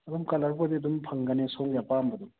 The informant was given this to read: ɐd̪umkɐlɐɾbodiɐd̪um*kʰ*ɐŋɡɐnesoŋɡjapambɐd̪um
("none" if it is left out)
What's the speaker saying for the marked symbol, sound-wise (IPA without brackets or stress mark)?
pʰ